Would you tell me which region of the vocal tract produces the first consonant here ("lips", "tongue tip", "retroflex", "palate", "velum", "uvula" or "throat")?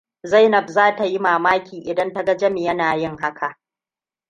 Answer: tongue tip